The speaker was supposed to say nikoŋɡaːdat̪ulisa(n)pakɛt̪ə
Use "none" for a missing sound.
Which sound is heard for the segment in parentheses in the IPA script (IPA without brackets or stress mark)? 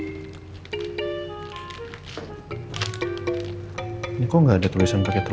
n